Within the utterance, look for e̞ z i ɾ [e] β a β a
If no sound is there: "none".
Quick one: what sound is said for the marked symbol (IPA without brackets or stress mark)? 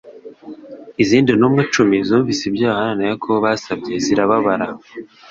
a